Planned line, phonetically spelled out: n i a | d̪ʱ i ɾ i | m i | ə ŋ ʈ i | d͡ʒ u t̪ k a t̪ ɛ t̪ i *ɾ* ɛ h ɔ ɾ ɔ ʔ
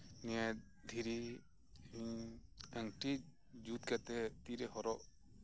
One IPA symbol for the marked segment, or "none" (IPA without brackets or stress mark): ɾ